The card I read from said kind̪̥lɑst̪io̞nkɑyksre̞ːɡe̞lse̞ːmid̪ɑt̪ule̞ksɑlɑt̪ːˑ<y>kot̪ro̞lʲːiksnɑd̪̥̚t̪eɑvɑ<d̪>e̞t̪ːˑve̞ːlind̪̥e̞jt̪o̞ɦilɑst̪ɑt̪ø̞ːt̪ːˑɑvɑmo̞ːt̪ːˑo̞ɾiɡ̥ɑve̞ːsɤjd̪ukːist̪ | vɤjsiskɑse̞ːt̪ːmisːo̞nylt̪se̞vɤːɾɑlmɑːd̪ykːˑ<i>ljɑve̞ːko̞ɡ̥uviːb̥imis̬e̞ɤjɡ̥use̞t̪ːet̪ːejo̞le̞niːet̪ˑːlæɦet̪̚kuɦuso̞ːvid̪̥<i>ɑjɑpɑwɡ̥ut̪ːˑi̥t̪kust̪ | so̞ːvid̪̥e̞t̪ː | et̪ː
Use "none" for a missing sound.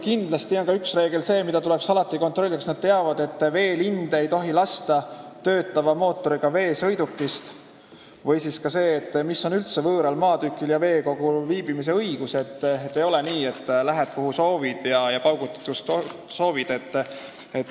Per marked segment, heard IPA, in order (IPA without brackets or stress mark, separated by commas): i, d̪, i, j